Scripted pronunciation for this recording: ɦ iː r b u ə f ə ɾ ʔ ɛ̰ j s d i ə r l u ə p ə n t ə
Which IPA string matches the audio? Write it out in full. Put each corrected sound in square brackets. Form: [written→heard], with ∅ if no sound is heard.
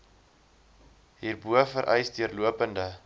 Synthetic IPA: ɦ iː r b u ə f ə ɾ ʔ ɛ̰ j s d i ə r l u ə p ə n [t→d] ə

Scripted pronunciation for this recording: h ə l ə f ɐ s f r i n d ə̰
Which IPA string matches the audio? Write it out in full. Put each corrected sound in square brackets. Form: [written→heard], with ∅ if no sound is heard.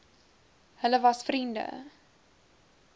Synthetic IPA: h ə l ə [f→v] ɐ s f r i n d ə̰

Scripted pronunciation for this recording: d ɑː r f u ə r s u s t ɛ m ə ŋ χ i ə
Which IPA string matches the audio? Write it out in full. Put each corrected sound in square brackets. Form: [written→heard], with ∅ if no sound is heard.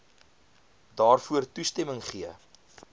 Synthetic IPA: d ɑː r f u ə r [s→t] u s t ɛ m ə ŋ χ i ə

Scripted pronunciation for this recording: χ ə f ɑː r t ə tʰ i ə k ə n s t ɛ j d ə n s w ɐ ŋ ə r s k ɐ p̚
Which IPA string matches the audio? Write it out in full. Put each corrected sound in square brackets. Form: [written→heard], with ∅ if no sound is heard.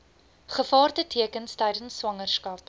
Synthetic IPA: χ ə f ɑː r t ə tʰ i ə k ə n s t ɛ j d ə n s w ɐ ŋ ə r s k ɐ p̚

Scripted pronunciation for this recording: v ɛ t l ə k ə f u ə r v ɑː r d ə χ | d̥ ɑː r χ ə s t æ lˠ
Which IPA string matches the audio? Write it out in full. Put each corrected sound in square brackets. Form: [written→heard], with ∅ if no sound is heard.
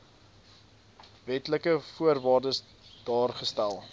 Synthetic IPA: v ɛ t l ə k ə f u ə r v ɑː r d ə [χ→s] | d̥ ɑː r χ ə s t æ lˠ

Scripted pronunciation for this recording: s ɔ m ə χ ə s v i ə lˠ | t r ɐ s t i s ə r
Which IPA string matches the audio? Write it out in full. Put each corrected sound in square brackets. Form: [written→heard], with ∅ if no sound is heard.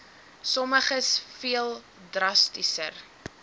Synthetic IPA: s ɔ m ə χ ə s [v→f] i ə lˠ | [t→d] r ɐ s t i s ə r

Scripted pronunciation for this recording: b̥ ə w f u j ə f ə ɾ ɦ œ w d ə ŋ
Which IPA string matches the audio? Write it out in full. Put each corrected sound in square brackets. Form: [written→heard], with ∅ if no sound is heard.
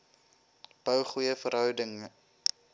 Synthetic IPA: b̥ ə w [f→χ] u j ə f ə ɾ ɦ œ w d ə ŋ

